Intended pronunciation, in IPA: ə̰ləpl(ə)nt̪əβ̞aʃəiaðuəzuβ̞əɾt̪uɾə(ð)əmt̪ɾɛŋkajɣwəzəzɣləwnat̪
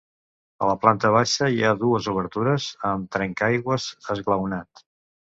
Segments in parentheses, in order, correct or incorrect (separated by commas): incorrect, incorrect